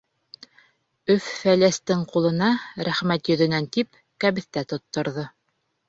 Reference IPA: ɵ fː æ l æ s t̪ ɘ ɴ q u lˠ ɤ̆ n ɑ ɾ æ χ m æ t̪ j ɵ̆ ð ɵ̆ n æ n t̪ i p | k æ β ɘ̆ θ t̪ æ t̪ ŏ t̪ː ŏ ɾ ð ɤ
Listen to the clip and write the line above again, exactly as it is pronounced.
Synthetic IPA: ɵ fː æ l æ s t̪ ɘ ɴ q u lˠ ɤ̆ n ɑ ɾ æ χ m æ t̪ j ɵ̆ ð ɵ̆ n æ n t̪ i p | k æ β ɘ̆ θ t̪ æ t̪ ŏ t̪ː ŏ ɾ ð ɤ